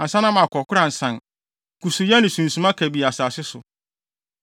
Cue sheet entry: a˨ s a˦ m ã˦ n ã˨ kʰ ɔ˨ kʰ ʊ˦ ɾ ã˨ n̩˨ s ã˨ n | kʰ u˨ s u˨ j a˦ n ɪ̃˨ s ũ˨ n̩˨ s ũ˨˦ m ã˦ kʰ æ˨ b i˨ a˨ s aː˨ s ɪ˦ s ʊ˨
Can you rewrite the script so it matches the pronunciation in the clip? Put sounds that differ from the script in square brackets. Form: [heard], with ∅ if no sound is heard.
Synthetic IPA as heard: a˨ s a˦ [n] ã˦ [m] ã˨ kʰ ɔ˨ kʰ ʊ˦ ɾ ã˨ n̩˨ s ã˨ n | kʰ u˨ s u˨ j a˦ n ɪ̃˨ s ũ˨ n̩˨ s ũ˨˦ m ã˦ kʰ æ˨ b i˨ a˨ s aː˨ s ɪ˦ s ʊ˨